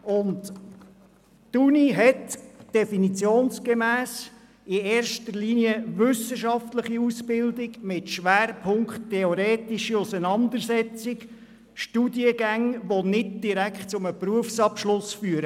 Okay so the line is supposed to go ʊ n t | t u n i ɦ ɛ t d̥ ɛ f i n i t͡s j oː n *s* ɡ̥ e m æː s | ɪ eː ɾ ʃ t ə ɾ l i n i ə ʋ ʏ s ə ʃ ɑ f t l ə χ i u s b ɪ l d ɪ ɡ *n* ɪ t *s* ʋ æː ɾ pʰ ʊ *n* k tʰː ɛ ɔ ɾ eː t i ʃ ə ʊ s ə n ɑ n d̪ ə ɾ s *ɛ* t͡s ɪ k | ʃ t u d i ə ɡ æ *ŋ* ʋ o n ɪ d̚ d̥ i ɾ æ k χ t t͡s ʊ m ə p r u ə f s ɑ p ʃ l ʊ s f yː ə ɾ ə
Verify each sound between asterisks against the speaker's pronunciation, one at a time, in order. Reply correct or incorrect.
correct, incorrect, incorrect, incorrect, correct, correct

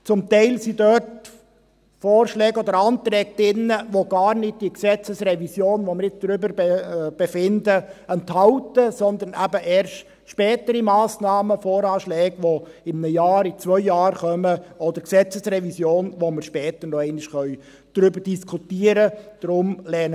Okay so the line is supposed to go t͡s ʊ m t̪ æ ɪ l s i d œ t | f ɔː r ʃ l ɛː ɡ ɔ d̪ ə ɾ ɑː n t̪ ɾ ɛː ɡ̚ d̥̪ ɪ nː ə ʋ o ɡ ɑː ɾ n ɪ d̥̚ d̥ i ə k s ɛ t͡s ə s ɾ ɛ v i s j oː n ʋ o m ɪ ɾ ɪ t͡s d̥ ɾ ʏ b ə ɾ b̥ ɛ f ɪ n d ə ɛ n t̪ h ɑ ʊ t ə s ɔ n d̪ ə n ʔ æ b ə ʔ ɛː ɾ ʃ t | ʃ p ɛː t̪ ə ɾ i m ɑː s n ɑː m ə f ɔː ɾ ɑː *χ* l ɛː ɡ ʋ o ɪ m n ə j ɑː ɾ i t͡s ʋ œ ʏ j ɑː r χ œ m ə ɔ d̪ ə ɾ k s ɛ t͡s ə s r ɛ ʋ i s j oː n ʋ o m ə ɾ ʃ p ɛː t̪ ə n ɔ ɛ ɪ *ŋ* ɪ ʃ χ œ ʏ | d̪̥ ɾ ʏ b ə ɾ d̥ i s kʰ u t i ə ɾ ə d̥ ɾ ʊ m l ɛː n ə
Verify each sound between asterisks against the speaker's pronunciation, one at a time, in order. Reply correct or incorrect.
incorrect, incorrect

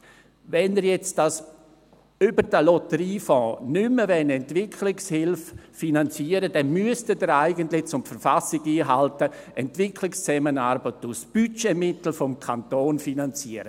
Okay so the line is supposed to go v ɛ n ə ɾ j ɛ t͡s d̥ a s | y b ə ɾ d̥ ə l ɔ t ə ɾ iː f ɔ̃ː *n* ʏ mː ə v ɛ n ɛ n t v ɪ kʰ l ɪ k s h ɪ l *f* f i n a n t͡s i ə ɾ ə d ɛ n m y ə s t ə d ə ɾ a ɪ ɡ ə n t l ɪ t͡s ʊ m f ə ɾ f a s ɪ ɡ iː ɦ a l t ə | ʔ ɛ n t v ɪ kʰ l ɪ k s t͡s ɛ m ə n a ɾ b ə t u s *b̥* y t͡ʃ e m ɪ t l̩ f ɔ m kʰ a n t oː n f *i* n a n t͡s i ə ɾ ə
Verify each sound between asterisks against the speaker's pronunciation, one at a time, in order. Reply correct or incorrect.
correct, correct, correct, correct

